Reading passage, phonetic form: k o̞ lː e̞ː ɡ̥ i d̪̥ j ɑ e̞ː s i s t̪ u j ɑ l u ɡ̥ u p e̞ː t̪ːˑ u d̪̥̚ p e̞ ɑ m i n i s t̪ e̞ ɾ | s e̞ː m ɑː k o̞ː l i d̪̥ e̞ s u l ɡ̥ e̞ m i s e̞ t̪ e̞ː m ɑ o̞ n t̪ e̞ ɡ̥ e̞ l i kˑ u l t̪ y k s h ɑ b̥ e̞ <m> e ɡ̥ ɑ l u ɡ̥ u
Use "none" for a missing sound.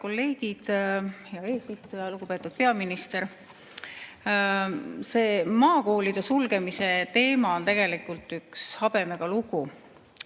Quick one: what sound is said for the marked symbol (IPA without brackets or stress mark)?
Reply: m